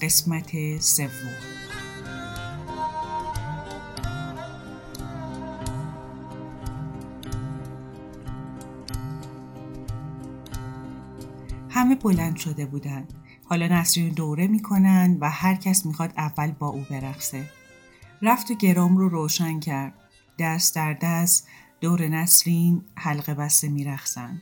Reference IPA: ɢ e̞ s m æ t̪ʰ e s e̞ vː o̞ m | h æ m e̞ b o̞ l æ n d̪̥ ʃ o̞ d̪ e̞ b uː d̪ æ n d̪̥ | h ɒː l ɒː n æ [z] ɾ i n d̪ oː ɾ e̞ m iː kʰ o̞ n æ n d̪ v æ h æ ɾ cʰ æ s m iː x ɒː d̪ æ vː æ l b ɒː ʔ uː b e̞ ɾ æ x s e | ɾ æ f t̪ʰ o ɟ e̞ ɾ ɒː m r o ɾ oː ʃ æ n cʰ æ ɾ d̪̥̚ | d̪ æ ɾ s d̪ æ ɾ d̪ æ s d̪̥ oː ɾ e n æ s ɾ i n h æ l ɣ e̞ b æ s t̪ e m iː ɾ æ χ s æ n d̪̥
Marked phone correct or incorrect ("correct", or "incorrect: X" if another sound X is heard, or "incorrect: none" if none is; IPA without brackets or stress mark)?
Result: incorrect: s